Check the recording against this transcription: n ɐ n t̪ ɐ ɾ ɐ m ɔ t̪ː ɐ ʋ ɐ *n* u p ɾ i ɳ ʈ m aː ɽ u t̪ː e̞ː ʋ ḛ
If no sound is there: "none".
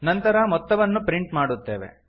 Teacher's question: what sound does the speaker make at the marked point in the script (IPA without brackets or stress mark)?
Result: nː